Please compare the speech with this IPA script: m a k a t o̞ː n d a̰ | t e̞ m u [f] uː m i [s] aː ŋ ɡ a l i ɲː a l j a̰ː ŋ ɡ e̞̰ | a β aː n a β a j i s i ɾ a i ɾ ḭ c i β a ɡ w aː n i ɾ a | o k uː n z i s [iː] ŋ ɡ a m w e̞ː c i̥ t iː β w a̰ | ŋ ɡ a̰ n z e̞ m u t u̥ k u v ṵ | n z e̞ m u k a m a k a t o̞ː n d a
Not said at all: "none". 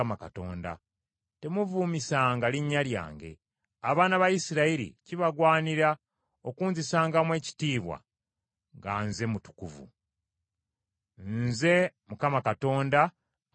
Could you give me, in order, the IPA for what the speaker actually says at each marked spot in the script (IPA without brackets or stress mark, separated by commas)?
v, s, aː